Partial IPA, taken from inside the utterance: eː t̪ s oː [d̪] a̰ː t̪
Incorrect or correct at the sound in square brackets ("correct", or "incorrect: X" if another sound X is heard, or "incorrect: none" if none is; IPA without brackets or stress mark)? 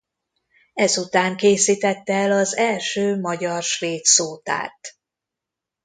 incorrect: t̪